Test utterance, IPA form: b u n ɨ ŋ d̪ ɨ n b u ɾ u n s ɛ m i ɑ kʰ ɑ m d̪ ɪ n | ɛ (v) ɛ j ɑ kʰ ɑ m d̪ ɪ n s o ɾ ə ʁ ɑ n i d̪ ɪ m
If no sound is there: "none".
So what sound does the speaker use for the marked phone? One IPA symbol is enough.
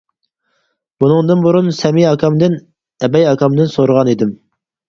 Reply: b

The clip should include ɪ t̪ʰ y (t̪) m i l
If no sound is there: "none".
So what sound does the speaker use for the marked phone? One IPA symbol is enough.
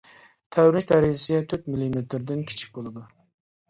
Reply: t̪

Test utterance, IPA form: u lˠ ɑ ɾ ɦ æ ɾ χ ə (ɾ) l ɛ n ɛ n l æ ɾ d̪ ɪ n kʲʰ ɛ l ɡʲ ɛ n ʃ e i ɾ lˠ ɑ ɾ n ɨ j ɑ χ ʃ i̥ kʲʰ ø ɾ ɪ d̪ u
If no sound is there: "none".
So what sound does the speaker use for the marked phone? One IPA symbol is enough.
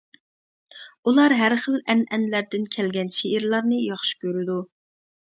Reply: none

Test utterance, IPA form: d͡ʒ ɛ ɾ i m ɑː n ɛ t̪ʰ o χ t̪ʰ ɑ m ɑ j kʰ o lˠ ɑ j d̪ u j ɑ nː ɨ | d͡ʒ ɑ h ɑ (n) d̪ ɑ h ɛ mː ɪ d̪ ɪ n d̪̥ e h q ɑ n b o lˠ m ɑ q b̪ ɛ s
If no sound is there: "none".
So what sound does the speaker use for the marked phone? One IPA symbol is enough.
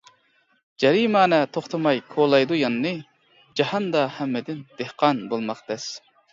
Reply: n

